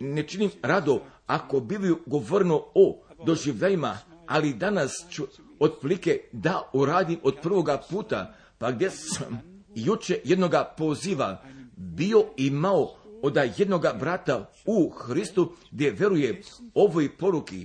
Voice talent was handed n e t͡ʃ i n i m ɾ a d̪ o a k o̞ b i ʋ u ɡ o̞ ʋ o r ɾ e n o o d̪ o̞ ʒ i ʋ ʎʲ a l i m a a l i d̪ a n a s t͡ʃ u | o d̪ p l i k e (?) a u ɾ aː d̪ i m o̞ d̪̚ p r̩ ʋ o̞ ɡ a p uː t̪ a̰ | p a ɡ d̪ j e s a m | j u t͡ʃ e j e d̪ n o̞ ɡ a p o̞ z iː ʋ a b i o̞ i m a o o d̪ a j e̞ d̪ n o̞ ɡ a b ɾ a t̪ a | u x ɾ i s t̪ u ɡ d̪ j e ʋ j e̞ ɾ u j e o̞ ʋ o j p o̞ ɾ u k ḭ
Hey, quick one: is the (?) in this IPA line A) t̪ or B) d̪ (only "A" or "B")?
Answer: B